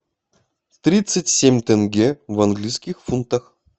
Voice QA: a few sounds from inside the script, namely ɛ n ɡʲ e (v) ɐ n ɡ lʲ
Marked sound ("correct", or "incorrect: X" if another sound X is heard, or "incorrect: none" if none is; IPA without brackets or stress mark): correct